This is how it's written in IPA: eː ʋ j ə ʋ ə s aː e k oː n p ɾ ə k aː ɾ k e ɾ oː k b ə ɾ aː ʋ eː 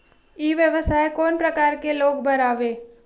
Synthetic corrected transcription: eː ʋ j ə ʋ ə s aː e k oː n p ɾ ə k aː ɾ k e l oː ɡ b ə ɾ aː ʋ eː